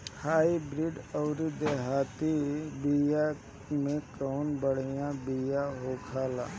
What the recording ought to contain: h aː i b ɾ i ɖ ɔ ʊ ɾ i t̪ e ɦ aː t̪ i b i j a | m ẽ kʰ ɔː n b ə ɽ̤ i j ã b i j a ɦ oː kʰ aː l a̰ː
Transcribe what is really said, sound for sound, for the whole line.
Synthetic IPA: h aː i b ɾ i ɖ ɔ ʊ ɾ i d̪ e ɦ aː t̪ i b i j a | m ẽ k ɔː n b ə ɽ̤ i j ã b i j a ɦ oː kʰ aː l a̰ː